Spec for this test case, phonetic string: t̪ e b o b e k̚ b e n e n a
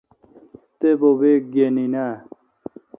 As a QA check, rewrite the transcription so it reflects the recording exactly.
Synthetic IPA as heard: t̪ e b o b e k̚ ɡ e n i n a

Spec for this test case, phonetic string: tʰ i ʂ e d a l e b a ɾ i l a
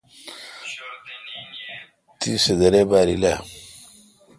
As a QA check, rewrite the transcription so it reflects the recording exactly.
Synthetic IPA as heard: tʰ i s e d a ɾ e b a ɾ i l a

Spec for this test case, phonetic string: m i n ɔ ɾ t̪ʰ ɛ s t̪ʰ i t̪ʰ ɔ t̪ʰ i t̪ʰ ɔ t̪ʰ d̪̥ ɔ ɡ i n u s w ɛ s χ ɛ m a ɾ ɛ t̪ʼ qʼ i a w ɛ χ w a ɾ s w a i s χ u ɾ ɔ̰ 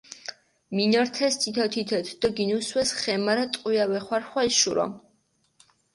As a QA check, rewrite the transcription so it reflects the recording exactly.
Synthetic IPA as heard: m i n ɔ ɾ t̪ʰ ɛ s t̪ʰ i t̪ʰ ɔ t̪ʰ i t̪ʰ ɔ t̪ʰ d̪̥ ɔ ɡ i n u s w ɛ s χ ɛ m a ɾ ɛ t̪ʼ qʼ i a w ɛ χ w a ɾ χ w a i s ʃ u ɾ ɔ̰

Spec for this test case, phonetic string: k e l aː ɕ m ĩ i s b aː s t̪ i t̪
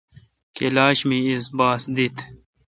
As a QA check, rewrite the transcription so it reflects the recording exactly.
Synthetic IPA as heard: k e l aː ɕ m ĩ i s b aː s d̪ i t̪

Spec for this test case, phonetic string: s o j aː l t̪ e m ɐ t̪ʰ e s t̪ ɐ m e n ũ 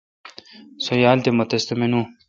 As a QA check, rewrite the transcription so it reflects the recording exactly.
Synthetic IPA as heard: s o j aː l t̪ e m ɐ t̪ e s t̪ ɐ m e n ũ

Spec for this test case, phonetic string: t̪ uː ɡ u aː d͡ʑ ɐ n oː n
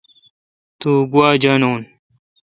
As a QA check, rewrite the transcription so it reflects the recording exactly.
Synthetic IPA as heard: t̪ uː ɡ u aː d͡ʑ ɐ n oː n

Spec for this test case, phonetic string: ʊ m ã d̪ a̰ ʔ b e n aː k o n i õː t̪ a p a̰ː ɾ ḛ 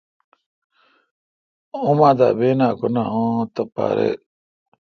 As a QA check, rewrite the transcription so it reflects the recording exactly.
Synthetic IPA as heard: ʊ m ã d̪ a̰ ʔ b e n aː k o n a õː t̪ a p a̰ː ɾ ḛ

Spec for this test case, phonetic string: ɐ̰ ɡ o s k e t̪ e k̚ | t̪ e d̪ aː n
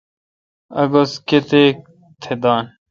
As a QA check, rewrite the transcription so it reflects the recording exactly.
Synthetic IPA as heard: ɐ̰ ɡ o s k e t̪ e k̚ | t̪ʰ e d̪ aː n

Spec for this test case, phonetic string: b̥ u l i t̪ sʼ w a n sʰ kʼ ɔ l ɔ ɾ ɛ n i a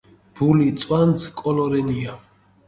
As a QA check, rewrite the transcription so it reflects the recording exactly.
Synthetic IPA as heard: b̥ u l i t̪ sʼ w a n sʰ kʼ ɔ l ɔ ɾ ɛ n i a

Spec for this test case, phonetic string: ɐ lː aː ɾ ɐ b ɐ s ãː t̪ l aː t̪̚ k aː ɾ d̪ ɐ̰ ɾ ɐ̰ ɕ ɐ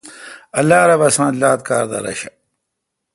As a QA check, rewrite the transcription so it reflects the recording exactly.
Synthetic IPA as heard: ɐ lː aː ɾ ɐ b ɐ s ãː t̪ l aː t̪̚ k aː ɾ d̪ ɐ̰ ɾ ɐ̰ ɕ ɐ

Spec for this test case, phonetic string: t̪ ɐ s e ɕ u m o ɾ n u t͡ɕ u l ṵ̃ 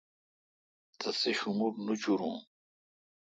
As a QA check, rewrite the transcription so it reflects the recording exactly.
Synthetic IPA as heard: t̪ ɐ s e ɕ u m u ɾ n u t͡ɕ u ɾ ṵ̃

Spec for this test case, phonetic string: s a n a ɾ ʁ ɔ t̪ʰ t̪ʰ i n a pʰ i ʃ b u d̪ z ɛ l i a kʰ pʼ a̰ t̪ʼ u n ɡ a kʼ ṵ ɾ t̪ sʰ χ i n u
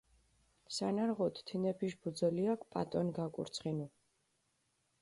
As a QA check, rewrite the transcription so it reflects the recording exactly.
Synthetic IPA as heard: s a n a ɾ ʁ ɔ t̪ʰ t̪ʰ i n ɛ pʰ i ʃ b u d̪ z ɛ l i a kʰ pʼ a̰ t̪ʼ ɔ n ɡ a kʼ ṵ ɾ t̪ sʰ χ i n u

